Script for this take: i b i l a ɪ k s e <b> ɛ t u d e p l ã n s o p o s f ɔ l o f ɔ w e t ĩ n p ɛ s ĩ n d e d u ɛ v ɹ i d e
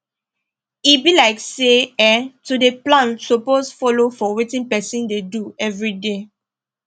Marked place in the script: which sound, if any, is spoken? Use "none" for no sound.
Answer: none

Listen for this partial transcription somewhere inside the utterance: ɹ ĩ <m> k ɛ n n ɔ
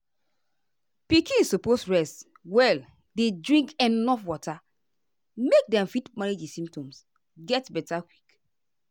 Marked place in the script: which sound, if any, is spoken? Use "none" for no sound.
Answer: ŋ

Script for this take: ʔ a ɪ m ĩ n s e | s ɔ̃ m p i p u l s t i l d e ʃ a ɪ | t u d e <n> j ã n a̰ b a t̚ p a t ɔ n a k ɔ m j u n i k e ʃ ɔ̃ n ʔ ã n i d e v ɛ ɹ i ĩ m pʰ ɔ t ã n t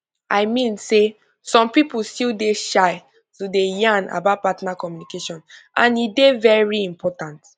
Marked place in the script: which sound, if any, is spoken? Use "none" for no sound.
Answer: none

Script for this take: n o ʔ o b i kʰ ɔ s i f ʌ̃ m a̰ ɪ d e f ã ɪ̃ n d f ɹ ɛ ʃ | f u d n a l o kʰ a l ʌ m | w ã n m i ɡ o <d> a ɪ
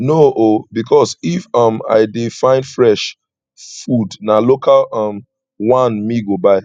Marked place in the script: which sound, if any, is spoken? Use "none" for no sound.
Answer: b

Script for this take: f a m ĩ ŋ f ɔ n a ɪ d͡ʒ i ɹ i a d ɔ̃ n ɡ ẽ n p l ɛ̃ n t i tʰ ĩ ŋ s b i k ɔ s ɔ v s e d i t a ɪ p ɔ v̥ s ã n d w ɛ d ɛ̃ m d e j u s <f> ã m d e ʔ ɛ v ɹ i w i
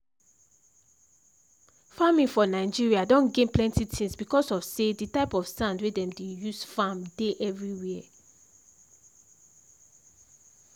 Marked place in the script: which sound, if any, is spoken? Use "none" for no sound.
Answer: f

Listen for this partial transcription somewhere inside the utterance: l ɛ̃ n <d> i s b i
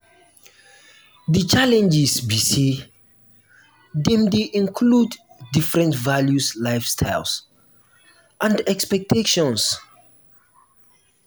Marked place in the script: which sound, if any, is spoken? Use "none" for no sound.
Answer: d͡ʒ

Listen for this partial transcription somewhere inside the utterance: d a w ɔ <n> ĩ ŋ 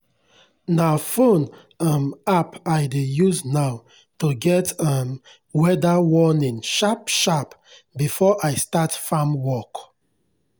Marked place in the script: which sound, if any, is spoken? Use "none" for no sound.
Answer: n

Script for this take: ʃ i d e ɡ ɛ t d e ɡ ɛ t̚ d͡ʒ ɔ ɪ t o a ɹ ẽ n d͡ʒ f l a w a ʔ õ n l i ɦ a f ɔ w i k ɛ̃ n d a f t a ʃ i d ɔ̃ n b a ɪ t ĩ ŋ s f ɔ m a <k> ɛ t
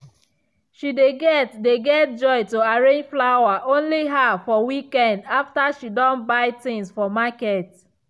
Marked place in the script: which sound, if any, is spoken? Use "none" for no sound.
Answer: k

